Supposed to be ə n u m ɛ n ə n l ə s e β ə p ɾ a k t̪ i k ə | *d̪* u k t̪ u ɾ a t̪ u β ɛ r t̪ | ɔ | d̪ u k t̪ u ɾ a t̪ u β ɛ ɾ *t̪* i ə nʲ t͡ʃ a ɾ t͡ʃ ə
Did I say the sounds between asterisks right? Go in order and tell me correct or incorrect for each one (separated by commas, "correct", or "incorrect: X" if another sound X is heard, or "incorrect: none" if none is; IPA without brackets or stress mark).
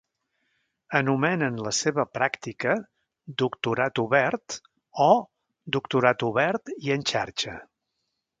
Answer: correct, correct